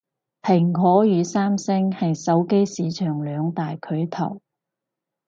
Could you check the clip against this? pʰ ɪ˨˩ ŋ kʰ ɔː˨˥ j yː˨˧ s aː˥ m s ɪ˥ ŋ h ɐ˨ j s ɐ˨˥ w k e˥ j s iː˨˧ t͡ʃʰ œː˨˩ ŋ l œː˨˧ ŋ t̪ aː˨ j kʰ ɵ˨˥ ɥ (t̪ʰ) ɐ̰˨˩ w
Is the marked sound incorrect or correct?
correct